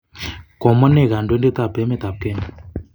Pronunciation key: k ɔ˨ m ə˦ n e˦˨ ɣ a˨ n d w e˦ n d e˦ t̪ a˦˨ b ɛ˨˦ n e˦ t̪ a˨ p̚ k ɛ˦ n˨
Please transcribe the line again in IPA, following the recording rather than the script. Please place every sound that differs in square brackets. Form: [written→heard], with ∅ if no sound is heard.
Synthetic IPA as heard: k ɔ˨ m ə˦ n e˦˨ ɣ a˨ n d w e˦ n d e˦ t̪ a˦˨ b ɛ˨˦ [n→m] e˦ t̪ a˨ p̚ k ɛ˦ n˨